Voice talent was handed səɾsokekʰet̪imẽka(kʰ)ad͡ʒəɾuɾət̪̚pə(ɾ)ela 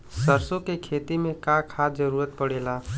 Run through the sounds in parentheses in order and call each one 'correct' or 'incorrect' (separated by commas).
correct, incorrect